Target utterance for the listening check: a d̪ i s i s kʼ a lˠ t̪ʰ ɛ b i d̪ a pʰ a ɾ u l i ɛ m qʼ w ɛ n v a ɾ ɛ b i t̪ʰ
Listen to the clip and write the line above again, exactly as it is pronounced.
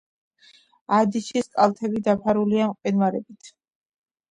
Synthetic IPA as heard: a d̪ i ʃ i s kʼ a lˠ t̪ʰ ɛ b i d̪ a pʰ a ɾ u l i a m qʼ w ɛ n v a ɾ ɛ b i t̪ʰ